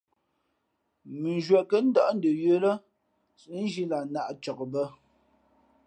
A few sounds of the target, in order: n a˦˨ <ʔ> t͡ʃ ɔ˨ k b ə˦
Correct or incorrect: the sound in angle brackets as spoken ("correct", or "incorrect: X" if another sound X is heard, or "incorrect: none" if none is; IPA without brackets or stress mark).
correct